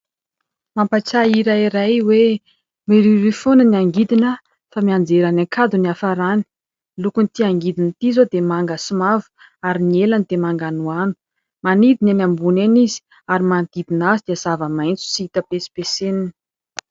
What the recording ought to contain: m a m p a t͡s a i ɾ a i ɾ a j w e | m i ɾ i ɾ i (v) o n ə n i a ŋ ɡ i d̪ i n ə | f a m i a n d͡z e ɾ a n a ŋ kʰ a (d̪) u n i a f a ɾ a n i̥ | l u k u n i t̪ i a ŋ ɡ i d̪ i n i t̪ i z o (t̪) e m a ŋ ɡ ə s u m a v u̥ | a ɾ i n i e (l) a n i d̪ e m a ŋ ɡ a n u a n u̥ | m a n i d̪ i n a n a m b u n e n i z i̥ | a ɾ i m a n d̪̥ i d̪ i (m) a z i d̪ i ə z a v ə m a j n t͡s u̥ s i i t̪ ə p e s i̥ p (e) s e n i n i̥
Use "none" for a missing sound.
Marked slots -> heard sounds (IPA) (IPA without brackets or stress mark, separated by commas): f, d̪, d̪, l, n, e